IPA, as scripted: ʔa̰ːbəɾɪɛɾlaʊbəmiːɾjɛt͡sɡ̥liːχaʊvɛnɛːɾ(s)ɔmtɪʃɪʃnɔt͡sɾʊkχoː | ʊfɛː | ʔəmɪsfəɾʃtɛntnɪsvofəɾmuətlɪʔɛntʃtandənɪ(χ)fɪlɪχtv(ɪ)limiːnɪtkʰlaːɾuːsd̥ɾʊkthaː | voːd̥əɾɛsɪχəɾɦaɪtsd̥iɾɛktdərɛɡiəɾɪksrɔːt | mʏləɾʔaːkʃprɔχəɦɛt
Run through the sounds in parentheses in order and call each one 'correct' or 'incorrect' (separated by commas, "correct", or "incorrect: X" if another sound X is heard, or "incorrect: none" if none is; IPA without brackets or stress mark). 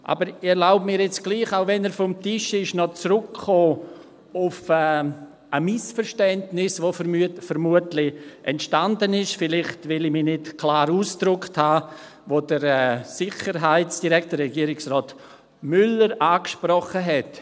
incorrect: f, incorrect: ʃ, correct